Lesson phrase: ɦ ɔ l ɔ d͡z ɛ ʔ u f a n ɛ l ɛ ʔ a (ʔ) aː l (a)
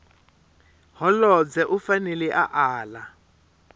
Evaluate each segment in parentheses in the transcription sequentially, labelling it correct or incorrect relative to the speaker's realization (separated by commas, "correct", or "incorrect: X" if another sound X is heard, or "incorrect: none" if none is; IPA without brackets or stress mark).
correct, correct